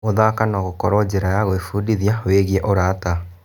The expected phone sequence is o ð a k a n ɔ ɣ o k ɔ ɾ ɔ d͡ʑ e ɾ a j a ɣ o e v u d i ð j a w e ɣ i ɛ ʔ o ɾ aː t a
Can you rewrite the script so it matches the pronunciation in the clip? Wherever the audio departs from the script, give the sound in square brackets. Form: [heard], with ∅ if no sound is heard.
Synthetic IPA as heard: o ð a k a n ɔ ɣ o k ɔ ɾ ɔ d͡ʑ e ɾ a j a ɣ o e [f] u d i ð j a w e ɣ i ɛ ʔ o ɾ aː t a